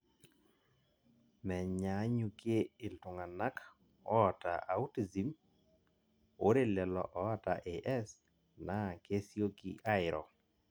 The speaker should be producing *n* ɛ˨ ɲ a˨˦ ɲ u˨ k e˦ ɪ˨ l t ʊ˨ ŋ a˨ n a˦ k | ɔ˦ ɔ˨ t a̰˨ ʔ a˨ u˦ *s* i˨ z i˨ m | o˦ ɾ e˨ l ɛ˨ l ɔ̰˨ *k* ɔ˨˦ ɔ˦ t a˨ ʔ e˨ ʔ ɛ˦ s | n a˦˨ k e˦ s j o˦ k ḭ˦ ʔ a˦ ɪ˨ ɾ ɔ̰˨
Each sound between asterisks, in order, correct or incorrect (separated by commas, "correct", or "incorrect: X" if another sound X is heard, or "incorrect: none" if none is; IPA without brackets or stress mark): incorrect: m, incorrect: t, incorrect: ʔ